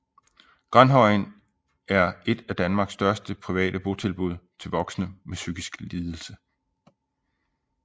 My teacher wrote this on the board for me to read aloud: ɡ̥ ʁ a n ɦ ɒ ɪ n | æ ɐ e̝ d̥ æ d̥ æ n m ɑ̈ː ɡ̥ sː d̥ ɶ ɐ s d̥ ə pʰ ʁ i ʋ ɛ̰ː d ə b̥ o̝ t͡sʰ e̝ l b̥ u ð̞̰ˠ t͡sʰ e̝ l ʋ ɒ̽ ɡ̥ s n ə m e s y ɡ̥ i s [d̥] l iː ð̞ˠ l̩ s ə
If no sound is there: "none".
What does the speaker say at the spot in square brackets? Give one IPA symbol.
ɡ̥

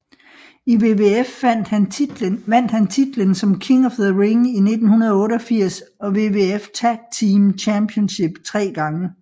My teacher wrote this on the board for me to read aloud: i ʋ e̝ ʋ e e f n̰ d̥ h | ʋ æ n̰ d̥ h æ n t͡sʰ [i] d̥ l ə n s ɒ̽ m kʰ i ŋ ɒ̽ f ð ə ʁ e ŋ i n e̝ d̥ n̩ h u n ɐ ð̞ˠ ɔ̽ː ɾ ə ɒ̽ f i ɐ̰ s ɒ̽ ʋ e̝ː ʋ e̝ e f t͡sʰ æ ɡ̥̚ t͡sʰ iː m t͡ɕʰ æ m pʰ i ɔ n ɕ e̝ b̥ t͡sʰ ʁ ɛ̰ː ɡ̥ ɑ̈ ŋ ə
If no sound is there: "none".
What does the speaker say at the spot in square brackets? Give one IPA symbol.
i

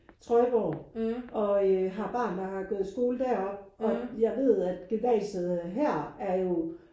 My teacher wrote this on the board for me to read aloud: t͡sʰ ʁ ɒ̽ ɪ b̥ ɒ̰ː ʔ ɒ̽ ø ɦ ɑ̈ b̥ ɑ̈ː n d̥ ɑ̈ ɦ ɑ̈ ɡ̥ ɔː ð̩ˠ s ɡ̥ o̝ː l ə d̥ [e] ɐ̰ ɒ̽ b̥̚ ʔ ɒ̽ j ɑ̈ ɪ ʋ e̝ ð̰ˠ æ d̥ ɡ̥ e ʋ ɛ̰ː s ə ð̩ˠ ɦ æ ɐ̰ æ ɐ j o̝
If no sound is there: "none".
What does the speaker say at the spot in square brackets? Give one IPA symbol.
æ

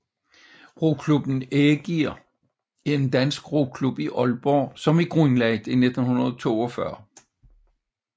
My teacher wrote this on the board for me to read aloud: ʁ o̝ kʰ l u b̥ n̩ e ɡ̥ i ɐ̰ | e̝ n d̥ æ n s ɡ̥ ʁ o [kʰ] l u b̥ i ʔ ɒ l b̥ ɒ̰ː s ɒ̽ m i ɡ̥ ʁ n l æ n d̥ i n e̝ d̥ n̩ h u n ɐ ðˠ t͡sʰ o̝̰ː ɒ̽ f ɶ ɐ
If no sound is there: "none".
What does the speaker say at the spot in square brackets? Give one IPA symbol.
kʰ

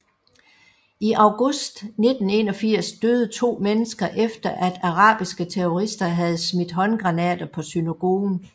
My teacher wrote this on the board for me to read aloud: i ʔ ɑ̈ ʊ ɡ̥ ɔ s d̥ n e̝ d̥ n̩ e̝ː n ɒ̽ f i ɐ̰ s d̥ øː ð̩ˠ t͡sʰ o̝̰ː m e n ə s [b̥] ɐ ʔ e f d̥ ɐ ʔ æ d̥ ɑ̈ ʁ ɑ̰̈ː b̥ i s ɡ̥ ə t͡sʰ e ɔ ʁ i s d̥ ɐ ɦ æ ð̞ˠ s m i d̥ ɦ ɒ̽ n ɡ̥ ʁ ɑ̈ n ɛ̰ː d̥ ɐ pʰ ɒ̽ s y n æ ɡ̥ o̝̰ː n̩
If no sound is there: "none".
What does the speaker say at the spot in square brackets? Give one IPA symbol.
ɡ̥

